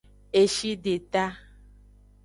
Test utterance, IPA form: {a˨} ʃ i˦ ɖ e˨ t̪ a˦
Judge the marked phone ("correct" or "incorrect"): incorrect